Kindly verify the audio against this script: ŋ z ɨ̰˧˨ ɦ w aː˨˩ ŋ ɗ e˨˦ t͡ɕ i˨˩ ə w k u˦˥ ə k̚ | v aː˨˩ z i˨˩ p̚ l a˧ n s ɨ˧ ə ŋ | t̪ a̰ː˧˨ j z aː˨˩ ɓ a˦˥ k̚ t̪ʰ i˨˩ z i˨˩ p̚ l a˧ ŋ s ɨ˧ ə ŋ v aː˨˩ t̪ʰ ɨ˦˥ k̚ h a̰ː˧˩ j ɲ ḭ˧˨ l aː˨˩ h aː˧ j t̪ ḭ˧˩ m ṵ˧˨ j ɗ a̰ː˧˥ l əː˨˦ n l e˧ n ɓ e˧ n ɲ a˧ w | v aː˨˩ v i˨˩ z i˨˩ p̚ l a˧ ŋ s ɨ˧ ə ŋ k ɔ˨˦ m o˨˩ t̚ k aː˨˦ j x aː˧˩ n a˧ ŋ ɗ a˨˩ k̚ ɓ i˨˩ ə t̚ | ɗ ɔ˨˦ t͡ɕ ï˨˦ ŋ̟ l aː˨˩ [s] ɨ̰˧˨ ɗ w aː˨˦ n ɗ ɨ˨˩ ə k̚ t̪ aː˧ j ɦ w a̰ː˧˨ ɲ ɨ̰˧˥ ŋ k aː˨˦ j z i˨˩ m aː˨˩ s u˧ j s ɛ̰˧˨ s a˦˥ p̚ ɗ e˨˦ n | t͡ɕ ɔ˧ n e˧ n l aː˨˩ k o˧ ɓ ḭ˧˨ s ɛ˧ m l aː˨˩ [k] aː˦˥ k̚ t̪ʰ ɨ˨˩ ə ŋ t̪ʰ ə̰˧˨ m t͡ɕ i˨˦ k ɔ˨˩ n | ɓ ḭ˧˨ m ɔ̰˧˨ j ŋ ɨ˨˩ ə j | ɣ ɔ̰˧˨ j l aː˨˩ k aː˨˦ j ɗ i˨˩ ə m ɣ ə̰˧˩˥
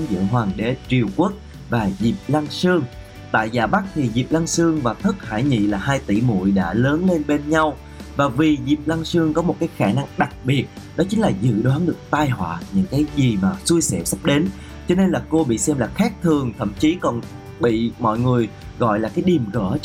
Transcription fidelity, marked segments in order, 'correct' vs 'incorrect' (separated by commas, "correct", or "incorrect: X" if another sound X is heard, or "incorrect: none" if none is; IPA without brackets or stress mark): incorrect: z, incorrect: x